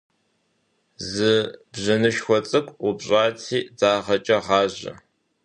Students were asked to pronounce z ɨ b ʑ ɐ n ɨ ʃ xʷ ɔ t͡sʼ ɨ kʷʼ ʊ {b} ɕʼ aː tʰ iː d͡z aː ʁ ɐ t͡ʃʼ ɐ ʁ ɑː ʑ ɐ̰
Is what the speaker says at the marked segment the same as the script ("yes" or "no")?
yes